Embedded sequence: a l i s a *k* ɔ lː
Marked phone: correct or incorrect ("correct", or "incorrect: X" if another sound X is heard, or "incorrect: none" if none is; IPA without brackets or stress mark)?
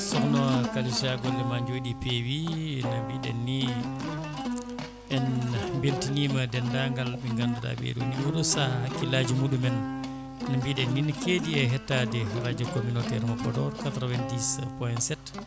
incorrect: ɡ